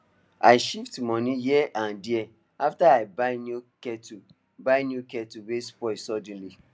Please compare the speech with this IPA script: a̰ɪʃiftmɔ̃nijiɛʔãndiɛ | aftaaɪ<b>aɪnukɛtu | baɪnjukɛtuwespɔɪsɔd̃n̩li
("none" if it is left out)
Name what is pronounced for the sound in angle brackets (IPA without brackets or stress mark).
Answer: b